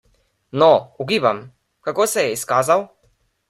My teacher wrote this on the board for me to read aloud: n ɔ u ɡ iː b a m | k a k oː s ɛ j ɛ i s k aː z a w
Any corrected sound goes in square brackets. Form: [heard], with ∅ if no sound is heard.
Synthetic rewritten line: n ɔ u ɡ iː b a m | k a k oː s ɛ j ɛ i s k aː z a w